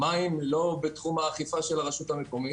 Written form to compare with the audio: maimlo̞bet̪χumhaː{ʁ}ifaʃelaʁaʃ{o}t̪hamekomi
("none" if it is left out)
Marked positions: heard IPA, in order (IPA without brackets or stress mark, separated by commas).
χ, u